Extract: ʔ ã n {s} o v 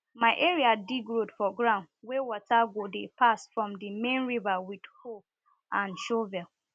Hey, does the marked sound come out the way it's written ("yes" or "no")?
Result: no